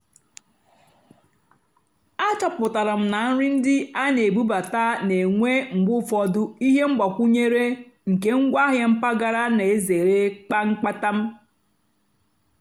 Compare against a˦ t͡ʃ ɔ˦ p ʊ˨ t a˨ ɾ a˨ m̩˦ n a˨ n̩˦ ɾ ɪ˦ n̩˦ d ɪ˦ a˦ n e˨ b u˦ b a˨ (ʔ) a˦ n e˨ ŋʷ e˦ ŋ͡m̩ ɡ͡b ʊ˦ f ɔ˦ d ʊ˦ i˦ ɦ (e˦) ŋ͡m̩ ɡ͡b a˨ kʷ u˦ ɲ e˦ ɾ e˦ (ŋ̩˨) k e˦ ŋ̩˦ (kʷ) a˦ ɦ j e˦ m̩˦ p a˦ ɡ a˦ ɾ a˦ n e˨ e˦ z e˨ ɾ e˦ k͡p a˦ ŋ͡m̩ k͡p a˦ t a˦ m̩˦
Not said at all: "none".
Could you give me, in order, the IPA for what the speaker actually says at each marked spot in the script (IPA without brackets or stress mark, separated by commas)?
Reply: t, e˦, ŋ̩˨, ɡʷ